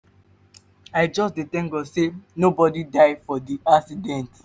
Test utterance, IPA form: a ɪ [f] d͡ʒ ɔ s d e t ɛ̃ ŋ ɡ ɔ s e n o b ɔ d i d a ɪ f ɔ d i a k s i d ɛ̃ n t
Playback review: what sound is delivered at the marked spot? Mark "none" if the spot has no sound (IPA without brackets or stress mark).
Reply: none